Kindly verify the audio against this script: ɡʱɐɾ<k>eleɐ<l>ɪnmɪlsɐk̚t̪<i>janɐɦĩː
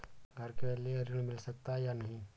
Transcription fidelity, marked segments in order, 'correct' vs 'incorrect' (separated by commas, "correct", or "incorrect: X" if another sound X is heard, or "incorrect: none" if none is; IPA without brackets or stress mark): correct, incorrect: ɾ, incorrect: a